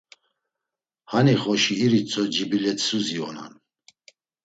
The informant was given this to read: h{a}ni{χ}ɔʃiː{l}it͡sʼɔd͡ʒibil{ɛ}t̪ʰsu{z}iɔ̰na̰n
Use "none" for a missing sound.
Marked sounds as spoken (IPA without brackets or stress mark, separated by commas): a, χ, ɾ, ɛ, z